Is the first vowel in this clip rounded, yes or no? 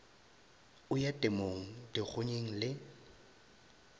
yes